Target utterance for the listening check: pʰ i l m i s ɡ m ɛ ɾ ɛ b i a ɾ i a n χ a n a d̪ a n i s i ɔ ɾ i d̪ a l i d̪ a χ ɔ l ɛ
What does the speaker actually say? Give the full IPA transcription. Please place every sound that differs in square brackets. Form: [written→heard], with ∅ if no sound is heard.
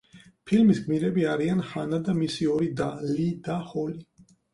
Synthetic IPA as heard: pʰ i l m i s ɡ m [ɛ→i] ɾ ɛ b i a ɾ i a n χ a n a d̪ a [n→m] i s i ɔ ɾ i d̪ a l i d̪ a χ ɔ l [ɛ→i]